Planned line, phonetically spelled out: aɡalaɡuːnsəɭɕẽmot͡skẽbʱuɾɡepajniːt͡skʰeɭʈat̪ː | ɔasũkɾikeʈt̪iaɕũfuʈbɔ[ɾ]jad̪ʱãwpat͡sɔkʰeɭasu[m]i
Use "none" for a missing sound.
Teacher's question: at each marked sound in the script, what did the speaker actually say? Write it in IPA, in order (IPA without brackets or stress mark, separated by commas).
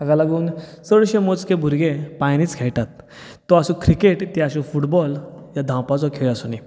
l, n